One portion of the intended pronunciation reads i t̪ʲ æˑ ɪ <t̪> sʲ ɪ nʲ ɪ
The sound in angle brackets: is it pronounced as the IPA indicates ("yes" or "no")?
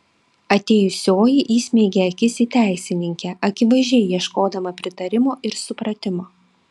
no